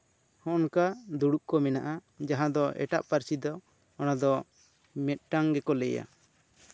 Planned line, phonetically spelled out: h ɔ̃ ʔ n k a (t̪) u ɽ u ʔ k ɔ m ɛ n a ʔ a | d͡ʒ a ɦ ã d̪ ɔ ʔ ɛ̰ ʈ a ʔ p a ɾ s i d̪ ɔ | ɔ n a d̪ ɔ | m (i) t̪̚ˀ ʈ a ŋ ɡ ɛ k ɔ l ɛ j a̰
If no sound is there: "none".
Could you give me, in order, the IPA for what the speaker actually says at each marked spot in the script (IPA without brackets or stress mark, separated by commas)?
d̪, ɛ